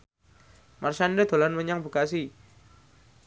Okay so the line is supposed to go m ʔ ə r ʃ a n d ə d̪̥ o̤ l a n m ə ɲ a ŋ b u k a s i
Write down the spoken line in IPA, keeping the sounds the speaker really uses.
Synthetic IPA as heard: m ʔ a r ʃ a n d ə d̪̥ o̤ l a n m ə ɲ a ŋ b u k a s i